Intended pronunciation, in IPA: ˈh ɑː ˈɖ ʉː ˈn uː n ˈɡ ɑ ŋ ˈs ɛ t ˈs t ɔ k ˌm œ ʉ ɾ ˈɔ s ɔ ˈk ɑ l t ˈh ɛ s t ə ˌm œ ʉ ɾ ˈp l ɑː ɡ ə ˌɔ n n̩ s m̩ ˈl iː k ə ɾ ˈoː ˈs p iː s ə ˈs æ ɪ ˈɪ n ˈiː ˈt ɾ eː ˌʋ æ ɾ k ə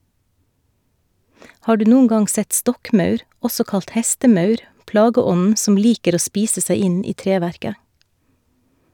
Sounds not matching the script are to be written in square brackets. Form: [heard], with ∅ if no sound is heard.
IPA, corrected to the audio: ˈh ɑː ˈɖ ʉː ˈn uː n ˈɡ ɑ ŋ ˈs ɛ t ˈs t ɔ k ˌm œ ʉ ɾ ˈɔ s ɔ ˈk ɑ l t ˈh ɛ s t ə ˌm œ ʉ ɾ ˈp l ɑː ɡ ə ˌɔ n n̩ s m̩ ˈl iː k ə ɾ ˈoː ˈs p iː s ə ˈs æ ɪ ˈɪ n ˈiː ˈt ɾ eː ˌʋ æ ɾ k ə